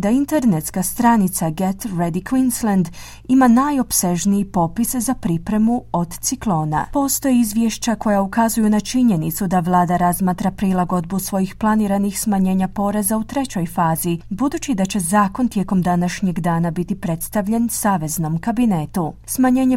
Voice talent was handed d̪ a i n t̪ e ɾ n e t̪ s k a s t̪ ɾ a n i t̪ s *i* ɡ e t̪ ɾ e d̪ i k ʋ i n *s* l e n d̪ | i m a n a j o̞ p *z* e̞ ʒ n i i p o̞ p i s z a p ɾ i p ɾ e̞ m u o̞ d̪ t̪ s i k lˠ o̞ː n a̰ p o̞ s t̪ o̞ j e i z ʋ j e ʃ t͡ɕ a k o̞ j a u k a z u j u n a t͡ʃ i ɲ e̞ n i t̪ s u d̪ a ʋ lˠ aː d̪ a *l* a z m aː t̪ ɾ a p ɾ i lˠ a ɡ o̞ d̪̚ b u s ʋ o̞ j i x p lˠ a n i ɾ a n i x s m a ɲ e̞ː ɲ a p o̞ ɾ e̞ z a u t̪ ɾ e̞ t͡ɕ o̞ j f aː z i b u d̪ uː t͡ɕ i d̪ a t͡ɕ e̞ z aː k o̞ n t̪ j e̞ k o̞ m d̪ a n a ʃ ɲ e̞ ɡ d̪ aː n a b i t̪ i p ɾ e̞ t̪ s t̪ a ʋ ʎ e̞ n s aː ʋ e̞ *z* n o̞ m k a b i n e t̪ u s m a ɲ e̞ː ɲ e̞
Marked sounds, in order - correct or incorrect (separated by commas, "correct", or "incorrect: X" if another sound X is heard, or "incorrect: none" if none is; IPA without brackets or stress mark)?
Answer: incorrect: a, correct, incorrect: s, incorrect: ɾ, correct